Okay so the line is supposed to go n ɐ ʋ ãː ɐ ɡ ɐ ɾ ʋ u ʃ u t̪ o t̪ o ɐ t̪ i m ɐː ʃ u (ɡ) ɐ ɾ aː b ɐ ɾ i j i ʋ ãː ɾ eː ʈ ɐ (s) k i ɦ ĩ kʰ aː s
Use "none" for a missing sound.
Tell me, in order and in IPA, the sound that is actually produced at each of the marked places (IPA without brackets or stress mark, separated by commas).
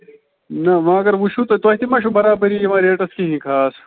b, s